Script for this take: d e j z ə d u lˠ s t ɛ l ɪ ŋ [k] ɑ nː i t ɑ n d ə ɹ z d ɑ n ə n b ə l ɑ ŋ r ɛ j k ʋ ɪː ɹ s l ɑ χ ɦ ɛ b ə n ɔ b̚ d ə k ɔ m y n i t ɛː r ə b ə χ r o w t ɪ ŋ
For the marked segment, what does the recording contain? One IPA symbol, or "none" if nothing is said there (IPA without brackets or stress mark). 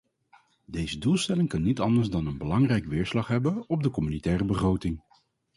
k